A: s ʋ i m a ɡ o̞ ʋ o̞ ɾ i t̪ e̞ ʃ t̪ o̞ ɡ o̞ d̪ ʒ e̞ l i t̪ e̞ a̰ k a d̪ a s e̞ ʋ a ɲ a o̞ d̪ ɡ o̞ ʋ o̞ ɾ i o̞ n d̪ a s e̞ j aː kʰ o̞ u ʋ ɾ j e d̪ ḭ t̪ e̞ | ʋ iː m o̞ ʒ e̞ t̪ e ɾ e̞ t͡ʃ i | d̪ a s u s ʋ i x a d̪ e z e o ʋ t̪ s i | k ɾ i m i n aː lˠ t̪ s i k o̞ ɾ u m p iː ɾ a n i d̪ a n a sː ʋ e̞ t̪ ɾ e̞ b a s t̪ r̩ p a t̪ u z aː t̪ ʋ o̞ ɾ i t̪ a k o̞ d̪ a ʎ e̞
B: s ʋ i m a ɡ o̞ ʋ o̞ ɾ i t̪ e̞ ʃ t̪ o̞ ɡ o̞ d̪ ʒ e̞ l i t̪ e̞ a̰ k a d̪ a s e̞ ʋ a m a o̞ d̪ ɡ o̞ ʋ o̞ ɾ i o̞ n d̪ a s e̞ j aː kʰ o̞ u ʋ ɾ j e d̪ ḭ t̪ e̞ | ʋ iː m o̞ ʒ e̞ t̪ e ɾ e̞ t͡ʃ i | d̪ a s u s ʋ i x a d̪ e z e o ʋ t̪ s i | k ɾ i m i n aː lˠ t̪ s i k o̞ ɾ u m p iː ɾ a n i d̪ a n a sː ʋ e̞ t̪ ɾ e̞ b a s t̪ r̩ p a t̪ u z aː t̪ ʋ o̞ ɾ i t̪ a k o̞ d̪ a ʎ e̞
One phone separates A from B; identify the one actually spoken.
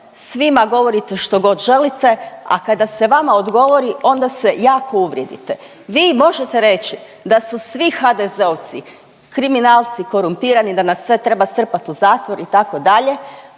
B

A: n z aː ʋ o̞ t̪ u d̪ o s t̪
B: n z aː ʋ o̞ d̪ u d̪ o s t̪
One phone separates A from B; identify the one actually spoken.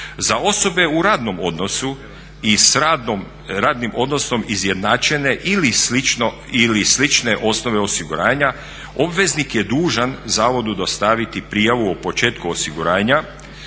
B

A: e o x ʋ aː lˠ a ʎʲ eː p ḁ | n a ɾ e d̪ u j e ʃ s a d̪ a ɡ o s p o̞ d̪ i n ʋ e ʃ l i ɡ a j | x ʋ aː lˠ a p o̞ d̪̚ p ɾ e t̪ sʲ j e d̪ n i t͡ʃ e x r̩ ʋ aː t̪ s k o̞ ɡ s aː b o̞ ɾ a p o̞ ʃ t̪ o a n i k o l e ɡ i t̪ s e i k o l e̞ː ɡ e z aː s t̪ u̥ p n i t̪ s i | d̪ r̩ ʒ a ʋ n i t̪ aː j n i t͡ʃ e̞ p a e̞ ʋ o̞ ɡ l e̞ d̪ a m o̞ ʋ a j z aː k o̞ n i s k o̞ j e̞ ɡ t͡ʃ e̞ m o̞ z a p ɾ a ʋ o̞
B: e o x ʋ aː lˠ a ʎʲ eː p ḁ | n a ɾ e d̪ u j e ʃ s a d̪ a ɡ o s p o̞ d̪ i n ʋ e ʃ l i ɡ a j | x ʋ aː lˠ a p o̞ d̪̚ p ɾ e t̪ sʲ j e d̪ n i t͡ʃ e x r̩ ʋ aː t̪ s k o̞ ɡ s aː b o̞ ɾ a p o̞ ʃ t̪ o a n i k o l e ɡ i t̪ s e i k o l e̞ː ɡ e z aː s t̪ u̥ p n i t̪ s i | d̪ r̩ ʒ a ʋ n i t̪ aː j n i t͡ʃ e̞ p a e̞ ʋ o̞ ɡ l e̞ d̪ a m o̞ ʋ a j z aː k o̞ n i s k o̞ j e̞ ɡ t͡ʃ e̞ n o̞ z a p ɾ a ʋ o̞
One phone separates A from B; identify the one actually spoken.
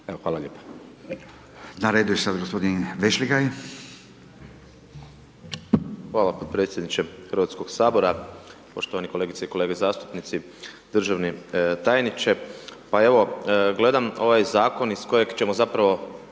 A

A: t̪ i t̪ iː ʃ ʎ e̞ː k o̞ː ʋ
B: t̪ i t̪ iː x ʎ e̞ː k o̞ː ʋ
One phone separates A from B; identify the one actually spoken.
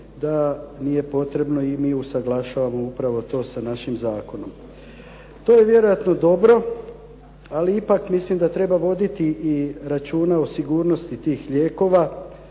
B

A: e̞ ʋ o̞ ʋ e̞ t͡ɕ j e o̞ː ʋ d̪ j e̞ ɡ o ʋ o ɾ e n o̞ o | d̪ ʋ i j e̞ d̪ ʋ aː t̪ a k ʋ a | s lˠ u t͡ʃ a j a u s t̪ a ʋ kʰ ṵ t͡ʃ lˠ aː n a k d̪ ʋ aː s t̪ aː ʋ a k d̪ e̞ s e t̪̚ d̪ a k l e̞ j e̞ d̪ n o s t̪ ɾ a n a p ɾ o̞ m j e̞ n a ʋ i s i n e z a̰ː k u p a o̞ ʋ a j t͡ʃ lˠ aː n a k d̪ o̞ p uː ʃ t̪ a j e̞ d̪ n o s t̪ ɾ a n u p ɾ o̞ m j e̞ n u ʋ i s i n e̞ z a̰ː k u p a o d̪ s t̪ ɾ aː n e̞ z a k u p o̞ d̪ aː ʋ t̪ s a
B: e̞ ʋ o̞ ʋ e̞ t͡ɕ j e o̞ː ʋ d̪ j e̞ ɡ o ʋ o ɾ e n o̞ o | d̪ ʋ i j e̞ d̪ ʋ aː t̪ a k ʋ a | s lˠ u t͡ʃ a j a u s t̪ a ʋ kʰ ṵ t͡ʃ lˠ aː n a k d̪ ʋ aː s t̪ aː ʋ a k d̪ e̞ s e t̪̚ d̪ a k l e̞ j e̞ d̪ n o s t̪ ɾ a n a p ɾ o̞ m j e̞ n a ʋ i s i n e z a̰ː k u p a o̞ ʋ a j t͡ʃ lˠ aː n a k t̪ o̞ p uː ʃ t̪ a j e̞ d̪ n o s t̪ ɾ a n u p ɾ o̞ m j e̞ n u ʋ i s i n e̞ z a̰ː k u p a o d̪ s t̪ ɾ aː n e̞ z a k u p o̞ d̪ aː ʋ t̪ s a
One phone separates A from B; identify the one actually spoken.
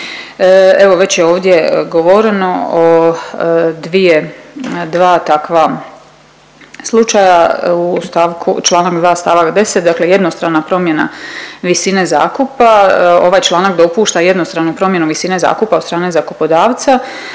A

